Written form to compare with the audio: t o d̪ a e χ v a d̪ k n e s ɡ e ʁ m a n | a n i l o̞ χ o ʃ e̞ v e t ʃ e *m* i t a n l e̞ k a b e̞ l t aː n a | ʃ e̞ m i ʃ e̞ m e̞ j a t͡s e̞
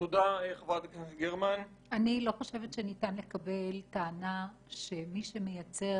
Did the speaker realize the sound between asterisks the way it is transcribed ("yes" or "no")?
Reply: no